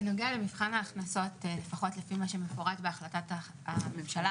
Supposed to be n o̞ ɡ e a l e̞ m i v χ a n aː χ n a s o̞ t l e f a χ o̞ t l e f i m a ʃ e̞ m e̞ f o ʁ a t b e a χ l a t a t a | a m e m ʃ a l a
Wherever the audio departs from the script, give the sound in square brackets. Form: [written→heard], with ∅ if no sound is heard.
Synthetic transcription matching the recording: n o̞ ɡ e a l e̞ m i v χ a n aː χ n a s o̞ t l e f a χ o̞ t l e f i m a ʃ e̞ m e̞ f o ʁ a t b e a χ l a t a t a | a m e m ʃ a l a

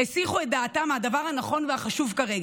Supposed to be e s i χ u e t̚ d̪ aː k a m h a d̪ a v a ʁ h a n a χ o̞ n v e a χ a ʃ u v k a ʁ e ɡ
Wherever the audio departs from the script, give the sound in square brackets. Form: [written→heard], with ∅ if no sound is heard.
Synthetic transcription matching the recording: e s i χ u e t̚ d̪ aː [k→t] a m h a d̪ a v a ʁ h a n a χ o̞ n v e a χ a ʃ u v k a ʁ e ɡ

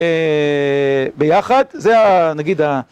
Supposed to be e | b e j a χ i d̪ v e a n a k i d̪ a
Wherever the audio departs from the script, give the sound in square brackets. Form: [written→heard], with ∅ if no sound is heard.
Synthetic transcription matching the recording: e | b e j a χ [i→a] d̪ [v→z] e a n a [k→ɡ] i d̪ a

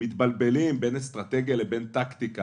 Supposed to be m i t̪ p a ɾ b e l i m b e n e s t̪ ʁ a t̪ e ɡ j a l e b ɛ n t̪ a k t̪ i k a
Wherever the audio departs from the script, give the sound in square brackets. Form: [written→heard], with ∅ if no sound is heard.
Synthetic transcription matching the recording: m i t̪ [p→b] a [ɾ→l] b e l i m b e n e s t̪ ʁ a t̪ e ɡ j a l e b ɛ n t̪ a k t̪ i k a

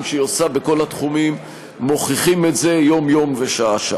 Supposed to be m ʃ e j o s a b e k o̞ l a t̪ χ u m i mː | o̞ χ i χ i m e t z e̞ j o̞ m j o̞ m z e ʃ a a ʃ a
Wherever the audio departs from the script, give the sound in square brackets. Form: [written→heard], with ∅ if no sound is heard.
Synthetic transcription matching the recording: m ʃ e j o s a b e k o̞ l a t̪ χ u m i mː | o̞ χ i χ i m e t z e̞ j o̞ m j o̞ m [z→v] e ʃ a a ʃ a

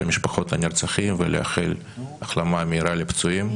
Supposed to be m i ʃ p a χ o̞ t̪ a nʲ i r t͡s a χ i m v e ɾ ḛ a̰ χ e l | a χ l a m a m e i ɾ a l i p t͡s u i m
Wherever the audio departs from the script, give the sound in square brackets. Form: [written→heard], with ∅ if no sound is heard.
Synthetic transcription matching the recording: m i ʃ p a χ o̞ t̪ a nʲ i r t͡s a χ i m v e [ɾ→l] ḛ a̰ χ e l | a χ l a m a m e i ɾ a l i p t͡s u i m

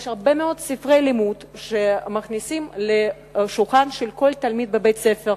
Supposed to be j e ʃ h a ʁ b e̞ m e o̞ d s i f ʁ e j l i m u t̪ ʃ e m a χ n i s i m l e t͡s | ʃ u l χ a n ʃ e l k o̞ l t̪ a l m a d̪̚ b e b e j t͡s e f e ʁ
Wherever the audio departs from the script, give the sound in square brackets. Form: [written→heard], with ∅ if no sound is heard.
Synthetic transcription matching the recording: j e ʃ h a ʁ b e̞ m e o̞ d s i f ʁ e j l i m u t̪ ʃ e m a χ n i s i m l e [t͡s→∅] | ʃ u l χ a n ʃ e l k o̞ l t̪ a l m [a→i] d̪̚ b e b e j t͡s e f e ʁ

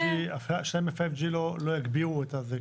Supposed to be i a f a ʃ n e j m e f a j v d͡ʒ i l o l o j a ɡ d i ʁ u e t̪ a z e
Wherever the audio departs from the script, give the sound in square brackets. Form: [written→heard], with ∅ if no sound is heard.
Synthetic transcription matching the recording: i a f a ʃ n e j m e f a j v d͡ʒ i l o l o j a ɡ [d→b] i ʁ u e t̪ a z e

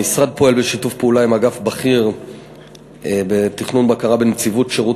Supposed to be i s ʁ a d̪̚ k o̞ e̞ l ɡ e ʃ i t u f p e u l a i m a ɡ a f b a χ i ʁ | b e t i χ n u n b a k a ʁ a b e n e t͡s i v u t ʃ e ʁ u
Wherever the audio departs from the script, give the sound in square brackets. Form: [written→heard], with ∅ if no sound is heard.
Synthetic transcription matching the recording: i s ʁ a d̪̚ [k→p] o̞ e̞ l [ɡ→b] e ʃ i t u f p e u l a i m a ɡ a f b a χ i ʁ | b e t i χ n u n b a k a ʁ a b e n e t͡s i v u t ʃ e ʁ u

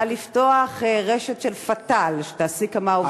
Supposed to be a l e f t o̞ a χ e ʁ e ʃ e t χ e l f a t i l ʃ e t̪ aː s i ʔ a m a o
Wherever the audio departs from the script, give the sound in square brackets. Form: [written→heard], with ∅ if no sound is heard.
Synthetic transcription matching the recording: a l [e→i] f t o̞ a χ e ʁ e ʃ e t [χ→ʃ] e l f a t [i→a] l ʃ e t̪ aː s i [ʔ→k] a m a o

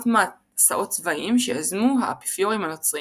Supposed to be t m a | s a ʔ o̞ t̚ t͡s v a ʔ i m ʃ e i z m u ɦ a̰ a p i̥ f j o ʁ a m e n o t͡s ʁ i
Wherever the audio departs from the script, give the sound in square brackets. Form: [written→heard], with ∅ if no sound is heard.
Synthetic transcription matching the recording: t m a | s a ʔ o̞ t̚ t͡s v a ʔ i m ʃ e [i→a] z m u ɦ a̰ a p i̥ f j o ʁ [a→i] m [e→a] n o t͡s ʁ i

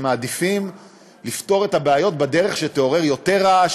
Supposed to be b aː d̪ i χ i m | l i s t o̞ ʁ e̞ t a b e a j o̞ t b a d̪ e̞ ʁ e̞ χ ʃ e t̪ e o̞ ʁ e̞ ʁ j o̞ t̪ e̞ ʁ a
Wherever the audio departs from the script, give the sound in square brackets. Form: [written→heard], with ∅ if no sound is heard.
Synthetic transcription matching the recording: [b→m] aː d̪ i [χ→f] i m | l i [s→f] t o̞ ʁ e̞ t a b e a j o̞ t b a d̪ e̞ ʁ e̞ χ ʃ e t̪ e o̞ ʁ e̞ ʁ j o̞ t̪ e̞ ʁ a

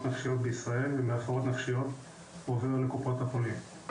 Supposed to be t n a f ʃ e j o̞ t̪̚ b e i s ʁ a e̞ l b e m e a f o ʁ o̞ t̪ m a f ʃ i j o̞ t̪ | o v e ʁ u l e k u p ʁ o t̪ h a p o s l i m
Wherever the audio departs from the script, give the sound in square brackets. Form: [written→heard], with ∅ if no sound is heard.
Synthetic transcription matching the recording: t n a f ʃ [e→i] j o̞ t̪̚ b e i s ʁ a e̞ l [b→v] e m e a f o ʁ o̞ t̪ [m→n] a f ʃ i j o̞ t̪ | o v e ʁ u l e k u p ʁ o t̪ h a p o [s→∅] l i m

